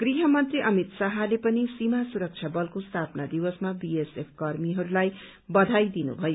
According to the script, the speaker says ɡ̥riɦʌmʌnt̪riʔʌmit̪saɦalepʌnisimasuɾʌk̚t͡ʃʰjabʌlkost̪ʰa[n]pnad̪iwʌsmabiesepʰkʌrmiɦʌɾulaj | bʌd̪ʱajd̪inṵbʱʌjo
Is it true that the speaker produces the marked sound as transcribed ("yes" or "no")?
no